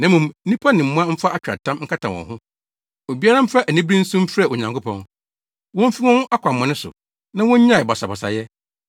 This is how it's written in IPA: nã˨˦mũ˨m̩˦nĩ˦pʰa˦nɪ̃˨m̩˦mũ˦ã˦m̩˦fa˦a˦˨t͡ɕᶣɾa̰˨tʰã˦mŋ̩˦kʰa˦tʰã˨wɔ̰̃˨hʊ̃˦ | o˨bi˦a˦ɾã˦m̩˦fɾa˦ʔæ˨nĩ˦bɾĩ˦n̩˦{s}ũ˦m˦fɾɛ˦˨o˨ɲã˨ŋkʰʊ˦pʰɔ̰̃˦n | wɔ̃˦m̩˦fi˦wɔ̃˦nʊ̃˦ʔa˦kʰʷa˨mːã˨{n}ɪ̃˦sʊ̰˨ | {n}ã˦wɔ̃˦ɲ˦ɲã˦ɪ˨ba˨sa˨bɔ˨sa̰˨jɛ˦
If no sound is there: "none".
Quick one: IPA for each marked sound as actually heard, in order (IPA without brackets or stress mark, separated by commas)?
s, n, n